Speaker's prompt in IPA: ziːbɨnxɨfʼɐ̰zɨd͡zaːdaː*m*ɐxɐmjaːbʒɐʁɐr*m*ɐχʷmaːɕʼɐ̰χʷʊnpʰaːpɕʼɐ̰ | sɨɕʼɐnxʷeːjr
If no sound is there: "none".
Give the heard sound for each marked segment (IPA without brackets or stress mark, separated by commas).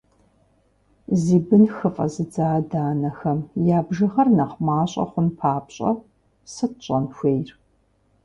n, n